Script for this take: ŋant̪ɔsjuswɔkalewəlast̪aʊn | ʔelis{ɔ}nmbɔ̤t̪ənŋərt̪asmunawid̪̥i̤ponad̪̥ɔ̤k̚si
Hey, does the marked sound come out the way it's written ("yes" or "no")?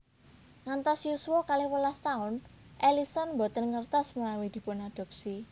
yes